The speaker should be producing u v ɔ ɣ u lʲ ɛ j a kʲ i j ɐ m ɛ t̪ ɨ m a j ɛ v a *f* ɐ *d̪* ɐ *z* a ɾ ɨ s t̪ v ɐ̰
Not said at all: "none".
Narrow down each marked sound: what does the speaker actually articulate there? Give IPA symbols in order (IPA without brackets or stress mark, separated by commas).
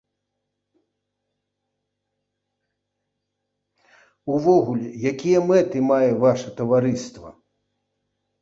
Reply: ʂ, t̪, v